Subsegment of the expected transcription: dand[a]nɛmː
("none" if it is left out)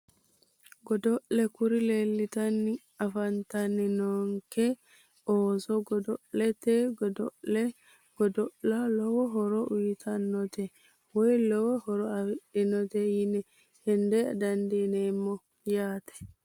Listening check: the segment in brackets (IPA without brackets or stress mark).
i